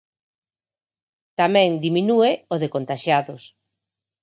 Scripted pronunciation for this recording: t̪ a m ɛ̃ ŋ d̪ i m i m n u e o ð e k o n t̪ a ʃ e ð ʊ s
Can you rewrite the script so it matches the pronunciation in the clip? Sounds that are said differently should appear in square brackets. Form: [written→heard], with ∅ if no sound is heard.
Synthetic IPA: t̪ a m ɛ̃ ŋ d̪ i m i [m→∅] n u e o ð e k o n t̪ a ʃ [e→a] ð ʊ s